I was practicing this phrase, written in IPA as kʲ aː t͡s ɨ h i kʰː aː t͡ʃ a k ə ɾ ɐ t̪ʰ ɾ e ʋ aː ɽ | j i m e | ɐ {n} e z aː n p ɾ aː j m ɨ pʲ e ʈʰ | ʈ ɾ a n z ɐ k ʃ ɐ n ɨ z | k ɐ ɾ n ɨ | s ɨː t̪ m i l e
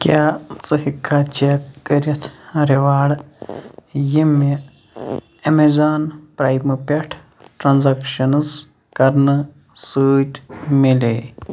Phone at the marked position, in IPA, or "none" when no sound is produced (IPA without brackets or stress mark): m